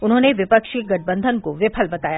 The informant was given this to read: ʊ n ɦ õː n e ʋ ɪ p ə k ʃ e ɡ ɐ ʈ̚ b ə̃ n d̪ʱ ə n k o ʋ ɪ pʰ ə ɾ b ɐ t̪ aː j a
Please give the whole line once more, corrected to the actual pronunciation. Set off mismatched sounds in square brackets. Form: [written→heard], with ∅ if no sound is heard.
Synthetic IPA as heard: ʊ n ɦ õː n e ʋ ɪ p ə k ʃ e ɡ ɐ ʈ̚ b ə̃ n d̪ʱ ə n k o ʋ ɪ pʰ ə [ɾ→l] b ɐ t̪ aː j a